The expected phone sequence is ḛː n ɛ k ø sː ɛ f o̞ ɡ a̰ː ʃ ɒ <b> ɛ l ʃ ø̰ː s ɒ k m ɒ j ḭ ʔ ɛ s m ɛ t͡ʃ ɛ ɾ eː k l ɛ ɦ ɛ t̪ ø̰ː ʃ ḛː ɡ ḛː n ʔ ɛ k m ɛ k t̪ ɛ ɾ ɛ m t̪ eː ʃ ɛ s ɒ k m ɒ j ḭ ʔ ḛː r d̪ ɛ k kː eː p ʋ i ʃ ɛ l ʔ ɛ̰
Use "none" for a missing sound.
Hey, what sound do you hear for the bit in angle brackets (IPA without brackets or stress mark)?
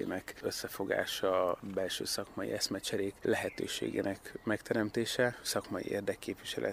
b